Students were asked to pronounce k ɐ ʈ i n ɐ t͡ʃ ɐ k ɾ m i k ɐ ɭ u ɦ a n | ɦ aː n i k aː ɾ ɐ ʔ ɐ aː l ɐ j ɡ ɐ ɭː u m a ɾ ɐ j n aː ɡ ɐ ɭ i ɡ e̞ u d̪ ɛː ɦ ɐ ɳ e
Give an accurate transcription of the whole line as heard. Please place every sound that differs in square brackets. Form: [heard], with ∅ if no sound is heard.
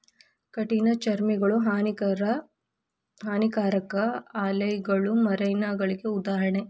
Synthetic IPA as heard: k ɐ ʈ i n ɐ t͡ʃ ɐ [∅] ɾ m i [ɡ] ɐ ɭ u ɦ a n | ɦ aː n i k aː ɾ ɐ [k] ɐ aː l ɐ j ɡ ɐ [ɭ] u m [ɐ] ɾ ɐ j n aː ɡ ɐ ɭ i ɡ e̞ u d̪ [aː] ɦ ɐ ɳ e